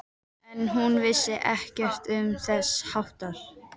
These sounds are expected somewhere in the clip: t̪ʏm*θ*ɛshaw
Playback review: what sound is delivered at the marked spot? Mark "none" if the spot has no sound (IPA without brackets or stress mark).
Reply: θ